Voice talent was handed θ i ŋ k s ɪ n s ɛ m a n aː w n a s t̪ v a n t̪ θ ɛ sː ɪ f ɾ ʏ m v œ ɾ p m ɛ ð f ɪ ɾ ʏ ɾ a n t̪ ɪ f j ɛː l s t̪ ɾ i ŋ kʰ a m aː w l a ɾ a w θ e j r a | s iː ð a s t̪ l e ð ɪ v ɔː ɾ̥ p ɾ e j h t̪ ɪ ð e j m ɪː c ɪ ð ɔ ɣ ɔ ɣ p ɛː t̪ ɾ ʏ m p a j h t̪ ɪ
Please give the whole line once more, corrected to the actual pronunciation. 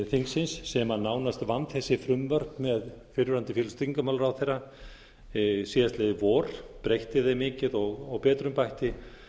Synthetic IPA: θ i ŋ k s ɪ n sː ɛ m a n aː w n a s t̪ v a n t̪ θ ɛ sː ɪ f ɾ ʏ m v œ ɾ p m ɛ ð f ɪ ɾ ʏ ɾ a n t̪ ɪ f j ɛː l s t̪ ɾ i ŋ k a m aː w l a ɾ a w θ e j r a | s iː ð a s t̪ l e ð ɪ v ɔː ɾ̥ p ɾ e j h t̪ ɪ ð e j m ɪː c ɪ ð ɔ ɣ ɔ ɣ p ɛː t̪ ɾ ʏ m p a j h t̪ ɪ